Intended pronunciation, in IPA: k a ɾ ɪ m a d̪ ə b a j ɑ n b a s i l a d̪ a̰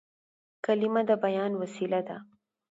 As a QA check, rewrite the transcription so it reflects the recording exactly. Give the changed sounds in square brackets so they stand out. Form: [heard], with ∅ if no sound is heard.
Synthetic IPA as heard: k a [l] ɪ m a d̪ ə b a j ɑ n [w] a s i l a d̪ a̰